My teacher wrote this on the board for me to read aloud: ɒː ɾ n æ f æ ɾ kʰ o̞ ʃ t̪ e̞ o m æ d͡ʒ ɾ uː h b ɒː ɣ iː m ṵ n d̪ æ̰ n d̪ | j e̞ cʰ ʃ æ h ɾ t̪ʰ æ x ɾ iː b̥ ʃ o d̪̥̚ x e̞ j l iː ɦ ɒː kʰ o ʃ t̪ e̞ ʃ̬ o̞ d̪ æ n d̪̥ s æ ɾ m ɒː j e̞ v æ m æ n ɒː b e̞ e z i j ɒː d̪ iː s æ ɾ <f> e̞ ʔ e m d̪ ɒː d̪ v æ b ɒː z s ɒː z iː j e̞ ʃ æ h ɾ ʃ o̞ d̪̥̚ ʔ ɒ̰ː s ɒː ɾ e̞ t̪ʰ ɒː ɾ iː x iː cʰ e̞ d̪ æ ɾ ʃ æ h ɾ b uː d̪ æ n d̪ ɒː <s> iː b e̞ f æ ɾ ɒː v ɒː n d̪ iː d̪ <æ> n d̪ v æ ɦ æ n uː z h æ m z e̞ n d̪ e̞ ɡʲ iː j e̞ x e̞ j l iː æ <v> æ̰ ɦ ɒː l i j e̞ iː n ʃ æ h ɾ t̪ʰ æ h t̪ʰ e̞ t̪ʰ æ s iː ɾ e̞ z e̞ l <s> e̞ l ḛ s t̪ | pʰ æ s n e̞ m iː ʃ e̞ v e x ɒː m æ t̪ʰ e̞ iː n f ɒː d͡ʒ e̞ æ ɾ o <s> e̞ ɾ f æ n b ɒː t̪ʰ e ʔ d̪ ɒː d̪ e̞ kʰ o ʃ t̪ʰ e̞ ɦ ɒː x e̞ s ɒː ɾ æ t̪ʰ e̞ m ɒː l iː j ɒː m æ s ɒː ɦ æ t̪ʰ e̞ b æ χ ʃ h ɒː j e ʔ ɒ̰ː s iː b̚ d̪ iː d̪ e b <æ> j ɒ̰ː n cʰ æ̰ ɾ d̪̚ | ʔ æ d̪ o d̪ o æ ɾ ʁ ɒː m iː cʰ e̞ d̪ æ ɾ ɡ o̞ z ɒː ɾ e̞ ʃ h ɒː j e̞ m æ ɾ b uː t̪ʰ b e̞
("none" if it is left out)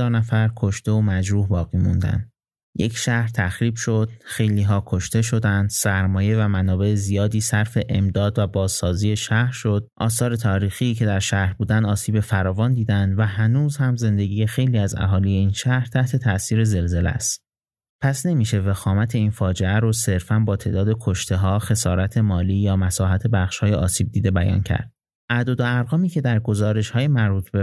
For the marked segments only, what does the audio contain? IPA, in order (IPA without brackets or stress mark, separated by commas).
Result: f, s, æ, z, z, s, æ